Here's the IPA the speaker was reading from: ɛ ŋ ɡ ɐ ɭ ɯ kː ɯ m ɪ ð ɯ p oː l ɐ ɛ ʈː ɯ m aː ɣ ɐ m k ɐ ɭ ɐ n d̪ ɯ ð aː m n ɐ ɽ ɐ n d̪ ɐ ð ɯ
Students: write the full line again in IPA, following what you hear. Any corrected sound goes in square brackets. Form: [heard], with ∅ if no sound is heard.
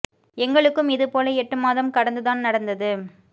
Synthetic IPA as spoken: ɛ ŋ ɡ ɐ ɭ ɯ kː ɯ m ɪ ð ɯ p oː l ɐ ɛ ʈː ɯ m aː [ð] ɐ m k ɐ [ɽ] ɐ n d̪ ɯ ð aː [n] n ɐ ɽ ɐ n d̪ ɐ ð ɯ

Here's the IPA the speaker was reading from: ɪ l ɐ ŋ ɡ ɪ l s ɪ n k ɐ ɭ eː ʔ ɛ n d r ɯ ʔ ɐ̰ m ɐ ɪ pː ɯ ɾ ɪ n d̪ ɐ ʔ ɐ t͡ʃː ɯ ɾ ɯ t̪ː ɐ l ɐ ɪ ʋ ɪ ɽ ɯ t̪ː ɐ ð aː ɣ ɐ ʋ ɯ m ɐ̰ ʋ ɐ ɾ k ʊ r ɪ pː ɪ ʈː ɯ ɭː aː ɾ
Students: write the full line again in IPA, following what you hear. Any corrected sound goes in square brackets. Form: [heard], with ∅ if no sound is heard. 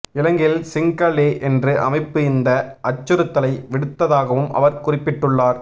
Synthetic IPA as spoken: ɪ l ɐ ŋ ɡ ɪ l s ɪ [ŋ] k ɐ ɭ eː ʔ ɛ n d r ɯ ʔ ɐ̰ m ɐ ɪ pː ɯ [∅] ɪ n d̪ ɐ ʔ ɐ t͡ʃː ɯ ɾ ɯ t̪ː ɐ l ɐ ɪ ʋ ɪ ɽ ɯ t̪ː ɐ ð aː ɣ ɐ ʋ ɯ m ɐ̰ ʋ ɐ ɾ k ʊ r ɪ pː ɪ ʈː ɯ ɭː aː ɾ

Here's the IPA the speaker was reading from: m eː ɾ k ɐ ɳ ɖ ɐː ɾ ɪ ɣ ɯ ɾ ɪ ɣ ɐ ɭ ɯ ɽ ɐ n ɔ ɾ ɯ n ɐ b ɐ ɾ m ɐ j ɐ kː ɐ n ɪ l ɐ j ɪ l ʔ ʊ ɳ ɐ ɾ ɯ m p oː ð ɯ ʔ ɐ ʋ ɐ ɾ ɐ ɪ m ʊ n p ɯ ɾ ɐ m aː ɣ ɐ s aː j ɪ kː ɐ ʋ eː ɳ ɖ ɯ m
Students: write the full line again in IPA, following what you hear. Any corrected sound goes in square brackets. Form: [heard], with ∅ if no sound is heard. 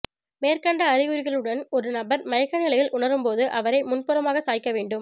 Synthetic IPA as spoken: m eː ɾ k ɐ ɳ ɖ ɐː ɾ ɪ ɣ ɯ ɾ ɪ ɣ ɐ ɭ ɯ ɽ ɐ n ɔ ɾ ɯ n ɐ b ɐ ɾ m ɐ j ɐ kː ɐ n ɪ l ɐ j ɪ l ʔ ʊ ɳ ɐ ɾ ɯ m p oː ð ɯ ʔ ɐ ʋ ɐ ɾ ɐ ɪ m ʊ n p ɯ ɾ ɐ m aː ɣ ɐ s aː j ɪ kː ɐ ʋ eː ɳ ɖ ɯ m

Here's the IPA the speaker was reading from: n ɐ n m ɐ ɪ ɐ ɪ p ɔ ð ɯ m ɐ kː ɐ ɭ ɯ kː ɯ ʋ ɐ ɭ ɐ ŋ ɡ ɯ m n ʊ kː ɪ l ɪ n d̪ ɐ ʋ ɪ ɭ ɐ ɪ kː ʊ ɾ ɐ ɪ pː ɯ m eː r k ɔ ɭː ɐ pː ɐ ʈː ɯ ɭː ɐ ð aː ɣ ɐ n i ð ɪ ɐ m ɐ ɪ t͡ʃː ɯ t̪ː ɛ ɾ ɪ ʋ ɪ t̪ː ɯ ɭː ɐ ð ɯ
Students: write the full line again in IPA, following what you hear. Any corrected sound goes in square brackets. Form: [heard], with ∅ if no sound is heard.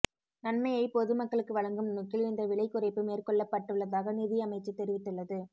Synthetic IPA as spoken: n ɐ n m ɐ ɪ ɐ ɪ p ɔ ð ɯ m ɐ kː ɐ ɭ ɯ kː ɯ ʋ ɐ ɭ ɐ ŋ ɡ ɯ m n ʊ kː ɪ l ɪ n d̪ ɐ ʋ ɪ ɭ ɐ ɪ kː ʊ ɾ ɐ ɪ pː ɯ m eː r k ɔ ɭː ɐ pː ɐ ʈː ɯ ɭː ɐ ð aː ɣ ɐ n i ð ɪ ɐ m ɐ ɪ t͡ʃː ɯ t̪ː ɛ ɾ ɪ ʋ ɪ t̪ː ɯ ɭː ɐ ð ɯ

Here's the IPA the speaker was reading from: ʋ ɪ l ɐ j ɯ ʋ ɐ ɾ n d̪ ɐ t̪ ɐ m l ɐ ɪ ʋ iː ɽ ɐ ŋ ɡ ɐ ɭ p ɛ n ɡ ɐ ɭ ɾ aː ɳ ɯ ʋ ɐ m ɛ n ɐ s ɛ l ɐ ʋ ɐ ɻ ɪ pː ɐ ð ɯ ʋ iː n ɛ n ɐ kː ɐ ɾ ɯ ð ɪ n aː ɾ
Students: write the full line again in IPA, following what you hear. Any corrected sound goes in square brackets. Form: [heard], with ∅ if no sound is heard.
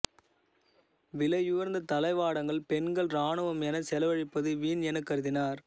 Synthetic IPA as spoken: ʋ ɪ l ɐ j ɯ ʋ ɐ ɾ n d̪ ɐ t̪ ɐ [∅] l ɐ ɪ ʋ [aː] ɽ ɐ ŋ ɡ ɐ ɭ p ɛ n ɡ ɐ ɭ ɾ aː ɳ ɯ ʋ ɐ m ɛ n ɐ s ɛ l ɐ ʋ ɐ ɻ ɪ pː ɐ ð ɯ ʋ iː n ɛ n ɐ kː ɐ ɾ ɯ ð ɪ n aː ɾ

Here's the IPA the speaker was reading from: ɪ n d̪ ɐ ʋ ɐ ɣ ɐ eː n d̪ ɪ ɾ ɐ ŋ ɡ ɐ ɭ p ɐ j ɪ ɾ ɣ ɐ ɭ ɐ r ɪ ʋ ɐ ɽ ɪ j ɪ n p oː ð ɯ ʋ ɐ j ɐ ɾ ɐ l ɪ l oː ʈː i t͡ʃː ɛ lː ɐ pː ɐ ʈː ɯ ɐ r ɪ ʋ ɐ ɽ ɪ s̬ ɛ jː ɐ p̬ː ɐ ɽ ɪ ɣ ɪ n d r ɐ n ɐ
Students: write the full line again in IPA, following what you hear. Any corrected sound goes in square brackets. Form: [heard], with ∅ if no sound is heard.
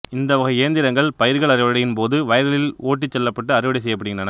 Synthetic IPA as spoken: ɪ n d̪ ɐ ʋ ɐ ɣ ɐ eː n d̪ ɪ ɾ ɐ ŋ ɡ ɐ ɭ p ɐ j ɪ ɾ ɣ ɐ ɭ ɐ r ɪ ʋ ɐ ɽ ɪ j ɪ n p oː ð ɯ ʋ ɐ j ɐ ɾ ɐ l ɪ l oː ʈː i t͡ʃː ɛ lː ɐ pː ɐ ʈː ɯ ɐ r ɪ ʋ ɐ ɽ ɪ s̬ ɛ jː ɐ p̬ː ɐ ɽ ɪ ɣ ɪ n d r ɐ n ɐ

